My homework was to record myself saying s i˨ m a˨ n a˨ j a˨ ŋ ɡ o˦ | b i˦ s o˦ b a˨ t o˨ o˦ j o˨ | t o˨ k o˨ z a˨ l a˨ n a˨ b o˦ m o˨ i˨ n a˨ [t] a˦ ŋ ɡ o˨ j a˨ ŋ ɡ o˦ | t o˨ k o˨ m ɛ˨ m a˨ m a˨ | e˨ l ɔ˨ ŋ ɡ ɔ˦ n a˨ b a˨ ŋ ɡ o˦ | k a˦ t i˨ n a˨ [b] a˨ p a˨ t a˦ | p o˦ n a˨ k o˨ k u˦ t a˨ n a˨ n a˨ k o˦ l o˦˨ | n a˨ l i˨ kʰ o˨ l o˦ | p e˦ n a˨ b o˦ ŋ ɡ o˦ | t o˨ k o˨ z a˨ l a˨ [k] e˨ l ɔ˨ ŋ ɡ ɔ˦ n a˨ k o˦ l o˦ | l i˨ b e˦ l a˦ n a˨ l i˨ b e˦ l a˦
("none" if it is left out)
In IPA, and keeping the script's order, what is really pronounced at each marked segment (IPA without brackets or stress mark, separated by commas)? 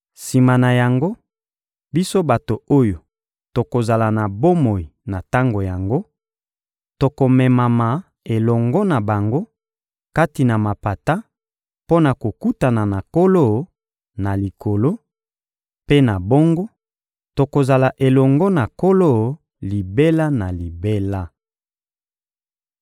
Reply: t, m, ʔ